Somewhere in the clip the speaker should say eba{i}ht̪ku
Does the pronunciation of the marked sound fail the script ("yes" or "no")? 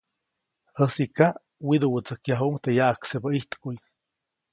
no